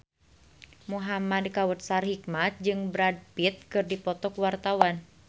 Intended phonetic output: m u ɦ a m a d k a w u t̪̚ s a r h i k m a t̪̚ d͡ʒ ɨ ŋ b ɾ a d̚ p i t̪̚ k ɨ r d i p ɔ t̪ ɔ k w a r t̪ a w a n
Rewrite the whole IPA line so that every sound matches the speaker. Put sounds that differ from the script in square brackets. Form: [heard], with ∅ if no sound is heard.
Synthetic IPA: m u ɦ a m a d k a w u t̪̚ s a r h i k m a t̪̚ d͡ʒ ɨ ŋ b ɾ a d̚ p i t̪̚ k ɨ r d i p ɔ t̪ ɔ k w a r t̪ a w a n